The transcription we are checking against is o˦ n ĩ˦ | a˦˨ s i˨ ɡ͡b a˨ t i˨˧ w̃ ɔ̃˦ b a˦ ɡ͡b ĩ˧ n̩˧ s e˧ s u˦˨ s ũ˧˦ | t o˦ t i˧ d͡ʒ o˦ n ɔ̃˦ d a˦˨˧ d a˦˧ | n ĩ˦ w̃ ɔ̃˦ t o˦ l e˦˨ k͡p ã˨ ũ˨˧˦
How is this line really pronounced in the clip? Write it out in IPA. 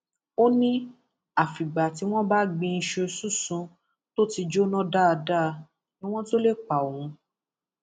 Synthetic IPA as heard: o˦ n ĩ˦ | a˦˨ f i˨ ɡ͡b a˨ t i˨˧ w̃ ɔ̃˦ b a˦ ɡ͡b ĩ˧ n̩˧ ʃ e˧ s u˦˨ s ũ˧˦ | t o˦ t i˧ d͡ʒ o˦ n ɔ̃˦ d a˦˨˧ d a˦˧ | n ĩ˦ w̃ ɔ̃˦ t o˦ l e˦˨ k͡p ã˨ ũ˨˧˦